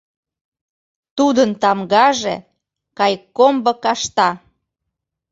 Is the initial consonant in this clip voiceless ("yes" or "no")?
yes